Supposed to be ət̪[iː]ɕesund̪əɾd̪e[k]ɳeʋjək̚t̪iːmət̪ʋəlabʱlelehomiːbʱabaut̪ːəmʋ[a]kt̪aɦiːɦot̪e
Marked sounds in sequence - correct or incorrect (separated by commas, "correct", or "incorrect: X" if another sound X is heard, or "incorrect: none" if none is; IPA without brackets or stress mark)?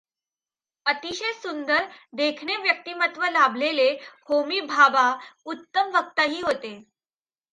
incorrect: i, incorrect: kʰ, incorrect: ə